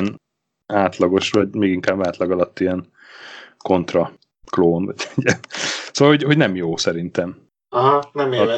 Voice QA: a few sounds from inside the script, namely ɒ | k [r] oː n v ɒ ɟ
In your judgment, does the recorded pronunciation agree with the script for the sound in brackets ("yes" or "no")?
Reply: no